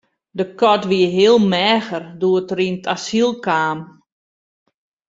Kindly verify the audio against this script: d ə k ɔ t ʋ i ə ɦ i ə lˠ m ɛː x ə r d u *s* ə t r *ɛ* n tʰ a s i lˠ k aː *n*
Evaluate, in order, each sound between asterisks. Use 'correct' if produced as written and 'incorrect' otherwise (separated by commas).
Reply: incorrect, incorrect, incorrect